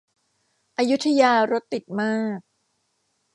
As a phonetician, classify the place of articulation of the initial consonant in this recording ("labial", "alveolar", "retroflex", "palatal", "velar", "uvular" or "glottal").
glottal